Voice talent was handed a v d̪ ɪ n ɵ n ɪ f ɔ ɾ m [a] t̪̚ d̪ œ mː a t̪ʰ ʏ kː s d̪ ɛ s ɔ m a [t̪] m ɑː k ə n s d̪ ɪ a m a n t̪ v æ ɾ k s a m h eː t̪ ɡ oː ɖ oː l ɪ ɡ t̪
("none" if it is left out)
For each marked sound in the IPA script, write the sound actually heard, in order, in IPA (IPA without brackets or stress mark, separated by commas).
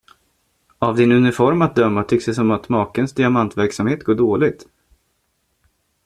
a, t̪